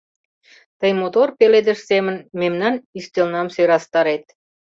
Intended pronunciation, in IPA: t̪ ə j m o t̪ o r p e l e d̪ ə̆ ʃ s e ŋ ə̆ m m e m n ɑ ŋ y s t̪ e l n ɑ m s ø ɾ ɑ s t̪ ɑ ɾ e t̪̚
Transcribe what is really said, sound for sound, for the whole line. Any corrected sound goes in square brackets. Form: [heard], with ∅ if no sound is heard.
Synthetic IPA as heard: t̪ ə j m o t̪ o r p e l e d̪ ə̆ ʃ s e [m] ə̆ [n] m e m n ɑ [n] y s t̪ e l n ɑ m s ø ɾ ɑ s t̪ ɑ ɾ e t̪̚